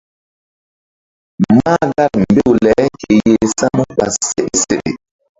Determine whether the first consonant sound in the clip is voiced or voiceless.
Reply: voiced